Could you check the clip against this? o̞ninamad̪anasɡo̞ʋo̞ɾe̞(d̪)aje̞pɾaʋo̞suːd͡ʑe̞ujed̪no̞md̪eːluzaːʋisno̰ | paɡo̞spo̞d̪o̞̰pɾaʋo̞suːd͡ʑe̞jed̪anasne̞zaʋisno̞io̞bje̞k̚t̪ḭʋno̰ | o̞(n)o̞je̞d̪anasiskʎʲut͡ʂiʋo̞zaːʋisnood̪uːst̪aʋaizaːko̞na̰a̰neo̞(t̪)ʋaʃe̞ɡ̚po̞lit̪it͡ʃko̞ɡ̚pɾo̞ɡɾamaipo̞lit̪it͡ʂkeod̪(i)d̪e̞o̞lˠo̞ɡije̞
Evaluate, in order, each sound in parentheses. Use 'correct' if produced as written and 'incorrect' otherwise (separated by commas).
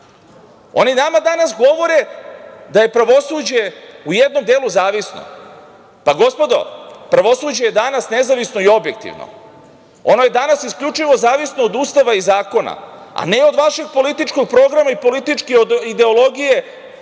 correct, correct, incorrect, correct